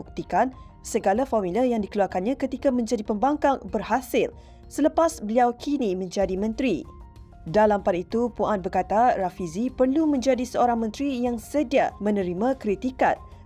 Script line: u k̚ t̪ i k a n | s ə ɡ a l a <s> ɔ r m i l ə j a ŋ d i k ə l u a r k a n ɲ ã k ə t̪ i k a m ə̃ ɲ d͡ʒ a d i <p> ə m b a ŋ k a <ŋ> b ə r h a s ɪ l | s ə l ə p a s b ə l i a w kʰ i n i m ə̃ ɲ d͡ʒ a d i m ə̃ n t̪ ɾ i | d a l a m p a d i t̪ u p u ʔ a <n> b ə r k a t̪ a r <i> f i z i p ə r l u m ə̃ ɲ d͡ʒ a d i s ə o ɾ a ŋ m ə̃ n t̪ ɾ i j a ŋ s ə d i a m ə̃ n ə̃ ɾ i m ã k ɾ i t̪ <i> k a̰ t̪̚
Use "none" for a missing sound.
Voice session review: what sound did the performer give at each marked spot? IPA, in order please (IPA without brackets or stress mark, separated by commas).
f, p, ŋ, n, a, i